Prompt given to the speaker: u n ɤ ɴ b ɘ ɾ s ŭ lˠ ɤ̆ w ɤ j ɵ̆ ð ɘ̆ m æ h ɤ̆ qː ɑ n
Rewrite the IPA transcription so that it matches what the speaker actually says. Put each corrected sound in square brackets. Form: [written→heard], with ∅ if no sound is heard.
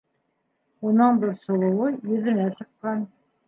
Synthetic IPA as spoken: u n ɤ ɴ b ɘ ɾ s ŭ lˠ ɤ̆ w ɤ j ɵ̆ ð ɘ̆ [m→n] æ [h→s] ɤ̆ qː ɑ n